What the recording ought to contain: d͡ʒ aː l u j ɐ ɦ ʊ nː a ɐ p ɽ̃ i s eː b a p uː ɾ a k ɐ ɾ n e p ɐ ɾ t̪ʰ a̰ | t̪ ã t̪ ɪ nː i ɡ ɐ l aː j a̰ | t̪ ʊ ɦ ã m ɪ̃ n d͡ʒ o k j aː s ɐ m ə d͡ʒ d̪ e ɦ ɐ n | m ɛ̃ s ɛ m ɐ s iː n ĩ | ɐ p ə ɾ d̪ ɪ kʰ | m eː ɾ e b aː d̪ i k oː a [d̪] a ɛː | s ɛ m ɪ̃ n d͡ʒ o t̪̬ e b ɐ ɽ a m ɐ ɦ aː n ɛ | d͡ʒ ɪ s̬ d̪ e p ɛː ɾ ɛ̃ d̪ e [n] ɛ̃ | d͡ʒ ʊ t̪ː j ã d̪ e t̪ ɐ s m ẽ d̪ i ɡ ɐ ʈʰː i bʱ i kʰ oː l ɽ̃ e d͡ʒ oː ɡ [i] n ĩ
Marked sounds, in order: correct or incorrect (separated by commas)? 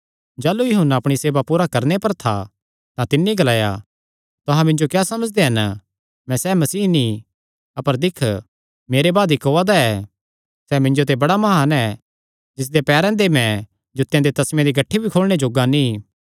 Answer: correct, incorrect, incorrect